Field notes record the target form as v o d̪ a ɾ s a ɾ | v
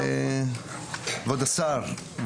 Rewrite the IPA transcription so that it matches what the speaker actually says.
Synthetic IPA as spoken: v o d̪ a s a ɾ | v